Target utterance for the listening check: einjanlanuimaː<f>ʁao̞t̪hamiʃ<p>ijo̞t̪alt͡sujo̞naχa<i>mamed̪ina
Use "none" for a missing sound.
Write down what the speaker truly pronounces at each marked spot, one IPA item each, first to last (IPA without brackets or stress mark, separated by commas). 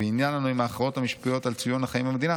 χ, p, i